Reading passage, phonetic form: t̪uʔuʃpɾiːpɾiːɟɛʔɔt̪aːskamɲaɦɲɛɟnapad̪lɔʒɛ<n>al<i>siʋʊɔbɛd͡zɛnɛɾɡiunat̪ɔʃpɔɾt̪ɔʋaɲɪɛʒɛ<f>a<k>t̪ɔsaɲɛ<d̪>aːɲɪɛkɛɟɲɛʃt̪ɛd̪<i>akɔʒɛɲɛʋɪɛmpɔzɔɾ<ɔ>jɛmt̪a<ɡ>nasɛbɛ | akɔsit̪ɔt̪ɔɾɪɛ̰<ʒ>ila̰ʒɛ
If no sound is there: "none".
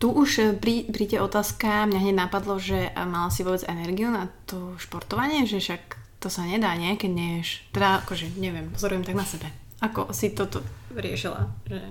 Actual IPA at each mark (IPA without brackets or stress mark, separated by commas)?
m, a, ʃ, k, d̪, a, u, ɡ, ʃ